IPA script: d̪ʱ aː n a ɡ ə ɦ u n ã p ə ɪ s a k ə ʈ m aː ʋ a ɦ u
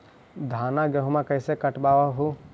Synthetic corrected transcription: d̪ʱ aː n a ɡ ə ɦ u m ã k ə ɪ s e k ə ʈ b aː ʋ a ɦ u

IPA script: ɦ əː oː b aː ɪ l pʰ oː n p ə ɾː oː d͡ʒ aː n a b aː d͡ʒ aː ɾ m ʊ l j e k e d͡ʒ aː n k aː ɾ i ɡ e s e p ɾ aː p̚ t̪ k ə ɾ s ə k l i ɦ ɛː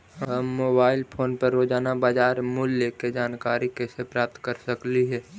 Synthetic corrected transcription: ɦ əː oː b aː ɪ l pʰ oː n p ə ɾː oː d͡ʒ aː n a b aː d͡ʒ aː ɾ m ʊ l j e k e d͡ʒ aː n k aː ɾ i k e s e p ɾ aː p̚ t̪ k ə ɾ s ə k l i ɦ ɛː

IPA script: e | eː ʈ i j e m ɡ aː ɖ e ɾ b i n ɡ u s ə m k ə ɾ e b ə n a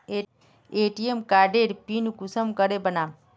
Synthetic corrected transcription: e | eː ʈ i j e m k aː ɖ e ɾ p i n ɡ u s ə m k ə ɾ e b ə n a

